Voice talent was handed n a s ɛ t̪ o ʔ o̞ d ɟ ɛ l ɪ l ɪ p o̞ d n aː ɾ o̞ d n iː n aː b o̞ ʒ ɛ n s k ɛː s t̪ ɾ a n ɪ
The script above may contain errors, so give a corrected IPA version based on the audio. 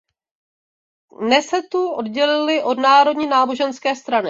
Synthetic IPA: n ɛ s ɛ t̪ u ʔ o̞ d ɟ ɛ l ɪ l ɪ ʔ o̞ d n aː ɾ o̞ d ɲ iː n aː b o̞ ʒ ɛ n s k ɛː s t̪ ɾ a n ɪ